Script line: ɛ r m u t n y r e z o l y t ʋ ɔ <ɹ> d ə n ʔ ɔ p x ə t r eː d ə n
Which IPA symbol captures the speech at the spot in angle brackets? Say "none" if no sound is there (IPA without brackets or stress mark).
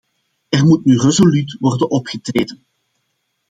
r